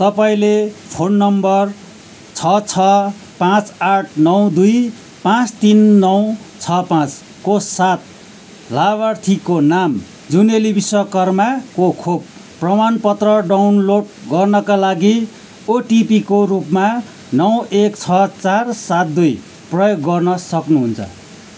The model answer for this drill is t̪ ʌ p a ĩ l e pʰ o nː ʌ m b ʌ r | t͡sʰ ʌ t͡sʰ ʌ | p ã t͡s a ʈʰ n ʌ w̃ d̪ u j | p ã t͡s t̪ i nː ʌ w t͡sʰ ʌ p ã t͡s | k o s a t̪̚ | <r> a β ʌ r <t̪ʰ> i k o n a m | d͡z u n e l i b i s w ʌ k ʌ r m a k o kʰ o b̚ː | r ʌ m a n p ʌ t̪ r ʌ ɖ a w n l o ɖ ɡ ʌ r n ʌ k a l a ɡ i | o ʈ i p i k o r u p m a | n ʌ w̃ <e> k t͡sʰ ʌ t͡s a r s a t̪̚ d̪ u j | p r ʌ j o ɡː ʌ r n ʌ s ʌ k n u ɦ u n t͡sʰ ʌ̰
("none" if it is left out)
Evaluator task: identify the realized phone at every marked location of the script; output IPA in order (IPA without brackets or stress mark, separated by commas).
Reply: l, t̪ʰ, e